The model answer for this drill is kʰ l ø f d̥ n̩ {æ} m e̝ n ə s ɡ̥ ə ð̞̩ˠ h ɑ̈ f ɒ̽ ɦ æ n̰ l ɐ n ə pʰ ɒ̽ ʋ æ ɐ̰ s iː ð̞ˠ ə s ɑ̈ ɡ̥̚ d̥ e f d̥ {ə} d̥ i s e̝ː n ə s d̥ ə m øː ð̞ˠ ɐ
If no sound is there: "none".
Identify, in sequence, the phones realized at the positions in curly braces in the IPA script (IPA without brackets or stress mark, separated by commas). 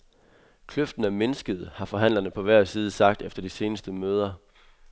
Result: æ, ɐ